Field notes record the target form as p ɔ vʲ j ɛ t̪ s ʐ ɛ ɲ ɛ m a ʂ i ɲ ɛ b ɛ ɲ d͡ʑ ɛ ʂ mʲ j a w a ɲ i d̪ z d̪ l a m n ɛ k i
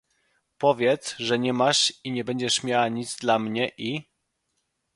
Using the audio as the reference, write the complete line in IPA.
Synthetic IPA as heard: p ɔ vʲ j ɛ t̪ s ʐ ɛ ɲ ɛ m a ʂ i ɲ ɛ b ɛ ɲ d͡ʑ ɛ ʂ mʲ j a w a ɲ i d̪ z d̪ l a m ɲ ɛ ʔ i